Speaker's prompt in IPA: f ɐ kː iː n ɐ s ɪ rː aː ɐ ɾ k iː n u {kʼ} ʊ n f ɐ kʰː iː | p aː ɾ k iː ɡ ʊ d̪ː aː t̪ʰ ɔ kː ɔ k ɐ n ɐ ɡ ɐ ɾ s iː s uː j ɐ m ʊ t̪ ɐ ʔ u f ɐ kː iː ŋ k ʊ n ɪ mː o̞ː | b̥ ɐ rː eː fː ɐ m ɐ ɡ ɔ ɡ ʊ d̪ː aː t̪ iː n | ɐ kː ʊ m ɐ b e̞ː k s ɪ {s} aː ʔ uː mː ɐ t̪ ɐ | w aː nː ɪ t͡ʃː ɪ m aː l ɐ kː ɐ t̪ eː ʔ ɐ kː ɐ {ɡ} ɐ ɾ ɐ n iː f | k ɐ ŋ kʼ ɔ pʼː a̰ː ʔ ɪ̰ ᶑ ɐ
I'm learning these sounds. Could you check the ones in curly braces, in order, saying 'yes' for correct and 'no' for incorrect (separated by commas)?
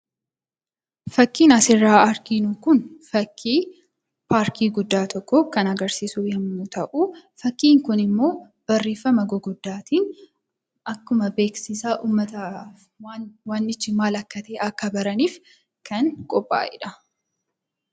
no, yes, no